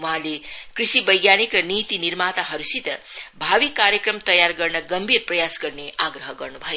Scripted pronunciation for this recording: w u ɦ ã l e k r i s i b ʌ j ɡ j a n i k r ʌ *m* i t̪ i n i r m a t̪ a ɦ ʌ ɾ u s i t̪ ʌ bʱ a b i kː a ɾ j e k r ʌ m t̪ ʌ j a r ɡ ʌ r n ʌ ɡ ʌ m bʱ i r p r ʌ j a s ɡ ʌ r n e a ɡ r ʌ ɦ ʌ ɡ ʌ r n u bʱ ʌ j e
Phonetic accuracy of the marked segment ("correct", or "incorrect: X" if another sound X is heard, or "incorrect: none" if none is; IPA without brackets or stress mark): incorrect: n